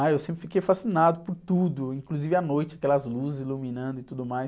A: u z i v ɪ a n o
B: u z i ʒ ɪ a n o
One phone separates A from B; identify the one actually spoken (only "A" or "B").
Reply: A